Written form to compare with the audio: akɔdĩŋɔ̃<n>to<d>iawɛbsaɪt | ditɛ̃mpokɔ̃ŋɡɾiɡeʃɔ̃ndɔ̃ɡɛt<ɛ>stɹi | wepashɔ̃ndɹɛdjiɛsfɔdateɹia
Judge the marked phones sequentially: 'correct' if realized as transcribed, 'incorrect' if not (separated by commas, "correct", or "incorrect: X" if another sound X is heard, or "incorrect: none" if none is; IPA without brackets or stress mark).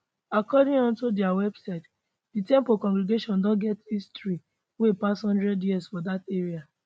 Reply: correct, correct, incorrect: i